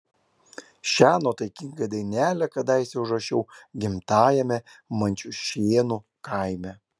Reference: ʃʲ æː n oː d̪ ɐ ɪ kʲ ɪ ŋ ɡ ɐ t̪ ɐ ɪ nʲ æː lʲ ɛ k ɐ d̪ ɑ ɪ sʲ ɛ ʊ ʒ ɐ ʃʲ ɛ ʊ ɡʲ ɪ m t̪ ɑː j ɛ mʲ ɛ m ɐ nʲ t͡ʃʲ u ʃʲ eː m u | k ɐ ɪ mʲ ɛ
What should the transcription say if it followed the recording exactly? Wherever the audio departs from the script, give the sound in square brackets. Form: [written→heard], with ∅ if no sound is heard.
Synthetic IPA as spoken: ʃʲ æː n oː [d̪→t̪] ɐ ɪ kʲ ɪ ŋ ɡ ɐ [t̪→d̪] ɐ ɪ nʲ æː lʲ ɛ k ɐ d̪ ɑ ɪ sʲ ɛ ʊ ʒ ɐ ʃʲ ɛ ʊ ɡʲ ɪ m t̪ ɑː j ɛ mʲ ɛ m ɐ nʲ t͡ʃʲ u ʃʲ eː [m→n] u | k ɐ ɪ mʲ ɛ